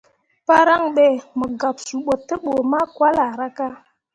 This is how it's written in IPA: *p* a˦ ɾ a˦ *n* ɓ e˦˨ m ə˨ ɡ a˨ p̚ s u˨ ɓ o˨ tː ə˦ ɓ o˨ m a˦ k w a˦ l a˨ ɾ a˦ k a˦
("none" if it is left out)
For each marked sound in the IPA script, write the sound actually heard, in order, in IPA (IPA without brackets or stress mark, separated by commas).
p, ŋ